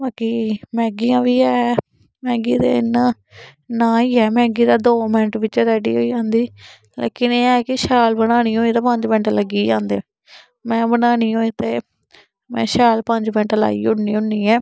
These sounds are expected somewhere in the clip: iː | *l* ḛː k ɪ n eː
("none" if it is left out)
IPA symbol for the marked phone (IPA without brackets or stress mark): l